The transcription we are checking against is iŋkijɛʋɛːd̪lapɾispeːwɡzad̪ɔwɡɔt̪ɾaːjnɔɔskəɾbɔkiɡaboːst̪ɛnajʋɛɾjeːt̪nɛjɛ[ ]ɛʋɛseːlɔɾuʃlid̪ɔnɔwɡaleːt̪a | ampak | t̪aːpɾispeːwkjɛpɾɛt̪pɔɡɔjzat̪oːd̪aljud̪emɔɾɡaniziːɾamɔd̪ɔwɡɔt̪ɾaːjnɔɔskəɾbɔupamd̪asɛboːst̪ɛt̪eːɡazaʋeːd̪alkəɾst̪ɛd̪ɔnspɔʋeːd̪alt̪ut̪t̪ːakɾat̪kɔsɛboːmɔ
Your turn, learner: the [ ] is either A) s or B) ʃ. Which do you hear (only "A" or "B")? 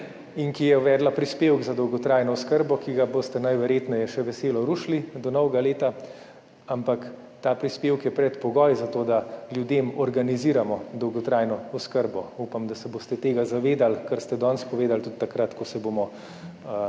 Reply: B